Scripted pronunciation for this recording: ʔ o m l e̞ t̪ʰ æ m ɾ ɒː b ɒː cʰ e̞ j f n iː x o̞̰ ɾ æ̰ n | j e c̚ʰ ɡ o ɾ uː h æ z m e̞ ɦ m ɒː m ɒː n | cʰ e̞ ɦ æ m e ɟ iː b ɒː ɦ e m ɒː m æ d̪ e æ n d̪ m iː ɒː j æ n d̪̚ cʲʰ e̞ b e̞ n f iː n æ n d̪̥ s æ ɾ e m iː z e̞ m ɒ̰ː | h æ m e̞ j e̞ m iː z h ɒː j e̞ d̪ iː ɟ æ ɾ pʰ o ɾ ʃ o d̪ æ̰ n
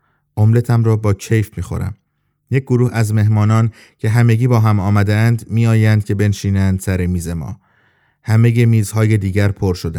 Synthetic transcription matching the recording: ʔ o m l e̞ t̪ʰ æ m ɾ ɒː b ɒː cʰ e̞ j f m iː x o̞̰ ɾ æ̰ m | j e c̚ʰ ɡ o ɾ uː h æ z m e̞ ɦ m ɒː n ɒː n | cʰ e̞ ɦ æ m e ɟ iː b ɒː ɦ æ m ɒː m æ d̪ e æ n d̪ m iː ɒː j æ n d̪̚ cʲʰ e̞ b e̞ n ʃ iː n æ n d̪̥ s æ ɾ e m iː z e̞ m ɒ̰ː | h æ m e̞ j e̞ m iː z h ɒː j e̞ d̪ iː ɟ æ ɾ pʰ o ɾ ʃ o d̪ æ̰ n